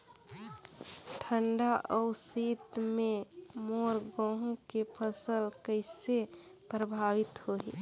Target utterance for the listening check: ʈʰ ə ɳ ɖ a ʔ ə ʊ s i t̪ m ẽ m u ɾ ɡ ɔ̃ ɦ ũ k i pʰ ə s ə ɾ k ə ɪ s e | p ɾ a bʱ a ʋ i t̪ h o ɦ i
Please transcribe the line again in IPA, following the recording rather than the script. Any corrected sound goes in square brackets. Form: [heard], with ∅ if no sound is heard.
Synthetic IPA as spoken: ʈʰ ə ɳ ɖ a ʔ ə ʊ s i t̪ m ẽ m [o] ɾ ɡ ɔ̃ ɦ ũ k [e] pʰ ə s ə [l] k ə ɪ s e | p ɾ [ə] bʱ a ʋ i t̪ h o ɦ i